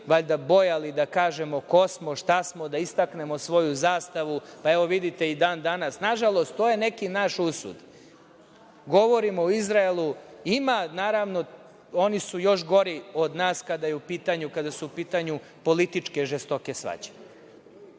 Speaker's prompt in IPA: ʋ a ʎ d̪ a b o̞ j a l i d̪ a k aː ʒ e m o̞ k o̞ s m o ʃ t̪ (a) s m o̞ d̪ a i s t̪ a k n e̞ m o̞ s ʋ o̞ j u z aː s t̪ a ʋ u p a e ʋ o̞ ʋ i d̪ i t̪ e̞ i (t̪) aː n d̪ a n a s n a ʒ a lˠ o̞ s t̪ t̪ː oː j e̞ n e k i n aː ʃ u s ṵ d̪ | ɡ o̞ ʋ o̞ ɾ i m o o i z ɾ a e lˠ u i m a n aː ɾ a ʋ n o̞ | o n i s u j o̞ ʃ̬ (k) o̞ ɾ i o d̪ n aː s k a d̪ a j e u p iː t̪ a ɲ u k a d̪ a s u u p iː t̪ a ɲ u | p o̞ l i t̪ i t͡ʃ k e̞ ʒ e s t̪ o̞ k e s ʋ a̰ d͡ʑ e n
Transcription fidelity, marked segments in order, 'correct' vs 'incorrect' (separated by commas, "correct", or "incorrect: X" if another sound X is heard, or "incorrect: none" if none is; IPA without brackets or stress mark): correct, incorrect: d̪, incorrect: ɡ